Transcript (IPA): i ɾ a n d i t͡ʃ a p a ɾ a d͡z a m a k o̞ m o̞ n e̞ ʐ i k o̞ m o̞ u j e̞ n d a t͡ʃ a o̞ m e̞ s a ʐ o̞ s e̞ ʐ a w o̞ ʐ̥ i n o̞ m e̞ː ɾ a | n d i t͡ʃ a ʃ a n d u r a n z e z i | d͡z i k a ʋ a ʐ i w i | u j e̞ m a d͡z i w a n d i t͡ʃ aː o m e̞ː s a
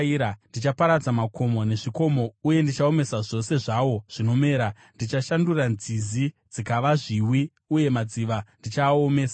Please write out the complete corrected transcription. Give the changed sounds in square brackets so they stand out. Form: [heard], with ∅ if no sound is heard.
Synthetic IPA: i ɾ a n d i t͡ʃ a p a ɾ a d͡z a m a k o̞ m o̞ n e̞ ʐ i k o̞ m o̞ u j e̞ n d [i] t͡ʃ a o̞ m e̞ s a ʐ o̞ s e̞ ʐ a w o̞ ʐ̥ i n o̞ m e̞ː ɾ a | n d i t͡ʃ a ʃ a n d u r a n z [i] z i | d͡z i k a ʋ a ʐ i w i | u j e̞ m a d͡z i [ʋ] a n d i t͡ʃ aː o m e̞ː s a